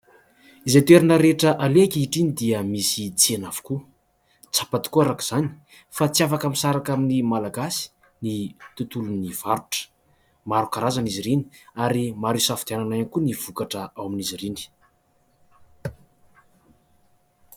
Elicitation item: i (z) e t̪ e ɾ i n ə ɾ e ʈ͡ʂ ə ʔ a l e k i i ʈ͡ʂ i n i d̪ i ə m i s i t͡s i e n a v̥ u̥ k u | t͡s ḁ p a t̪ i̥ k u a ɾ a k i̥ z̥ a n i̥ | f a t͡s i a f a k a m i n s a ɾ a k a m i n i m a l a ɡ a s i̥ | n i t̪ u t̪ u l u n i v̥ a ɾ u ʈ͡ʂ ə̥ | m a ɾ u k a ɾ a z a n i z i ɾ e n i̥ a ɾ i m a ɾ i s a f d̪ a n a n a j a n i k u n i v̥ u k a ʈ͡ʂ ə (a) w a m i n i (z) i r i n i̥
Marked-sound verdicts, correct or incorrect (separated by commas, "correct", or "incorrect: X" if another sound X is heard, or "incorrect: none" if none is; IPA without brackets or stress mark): correct, correct, correct